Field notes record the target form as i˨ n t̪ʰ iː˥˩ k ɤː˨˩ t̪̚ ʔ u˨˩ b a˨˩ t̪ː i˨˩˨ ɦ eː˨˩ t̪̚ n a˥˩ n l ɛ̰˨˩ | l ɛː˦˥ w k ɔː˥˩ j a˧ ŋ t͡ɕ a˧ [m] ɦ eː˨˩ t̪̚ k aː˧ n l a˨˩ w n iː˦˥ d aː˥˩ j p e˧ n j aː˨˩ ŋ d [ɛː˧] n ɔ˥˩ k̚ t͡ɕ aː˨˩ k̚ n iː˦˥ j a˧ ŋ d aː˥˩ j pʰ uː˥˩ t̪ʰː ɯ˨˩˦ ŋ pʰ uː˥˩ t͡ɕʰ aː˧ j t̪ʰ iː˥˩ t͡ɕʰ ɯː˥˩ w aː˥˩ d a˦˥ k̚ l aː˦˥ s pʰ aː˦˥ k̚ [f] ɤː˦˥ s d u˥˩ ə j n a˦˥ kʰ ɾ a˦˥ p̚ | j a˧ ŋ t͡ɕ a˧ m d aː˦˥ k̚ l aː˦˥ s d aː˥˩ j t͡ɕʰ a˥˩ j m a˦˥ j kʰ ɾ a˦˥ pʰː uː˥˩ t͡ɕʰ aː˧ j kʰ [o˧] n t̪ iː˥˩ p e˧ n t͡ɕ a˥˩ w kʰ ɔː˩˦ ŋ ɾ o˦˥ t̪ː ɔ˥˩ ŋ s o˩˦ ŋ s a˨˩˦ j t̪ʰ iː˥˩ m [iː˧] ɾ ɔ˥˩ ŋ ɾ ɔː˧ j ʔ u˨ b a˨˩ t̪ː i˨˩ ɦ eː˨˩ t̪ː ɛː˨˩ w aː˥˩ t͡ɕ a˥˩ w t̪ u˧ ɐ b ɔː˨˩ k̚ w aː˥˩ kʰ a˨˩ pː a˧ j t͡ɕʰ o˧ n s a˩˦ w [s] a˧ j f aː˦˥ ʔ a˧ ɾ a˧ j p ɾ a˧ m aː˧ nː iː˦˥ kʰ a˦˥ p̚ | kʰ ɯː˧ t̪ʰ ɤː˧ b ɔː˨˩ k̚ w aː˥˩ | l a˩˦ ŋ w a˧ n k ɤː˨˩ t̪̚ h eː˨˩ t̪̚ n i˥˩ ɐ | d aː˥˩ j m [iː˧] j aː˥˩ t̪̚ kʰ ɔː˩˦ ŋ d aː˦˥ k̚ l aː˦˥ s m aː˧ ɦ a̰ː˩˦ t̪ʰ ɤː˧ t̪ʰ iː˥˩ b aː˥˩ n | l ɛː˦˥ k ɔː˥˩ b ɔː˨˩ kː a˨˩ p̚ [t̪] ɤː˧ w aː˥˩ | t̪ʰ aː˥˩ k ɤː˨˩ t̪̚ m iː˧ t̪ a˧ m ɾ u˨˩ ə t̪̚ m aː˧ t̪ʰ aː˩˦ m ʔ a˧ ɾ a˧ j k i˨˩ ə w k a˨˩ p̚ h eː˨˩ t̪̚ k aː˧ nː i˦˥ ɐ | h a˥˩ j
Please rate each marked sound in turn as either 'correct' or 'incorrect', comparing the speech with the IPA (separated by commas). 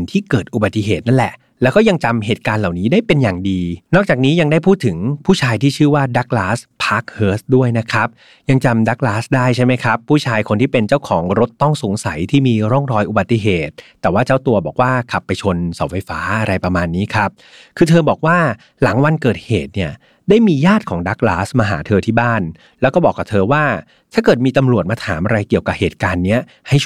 correct, incorrect, incorrect, correct, correct, incorrect, correct, incorrect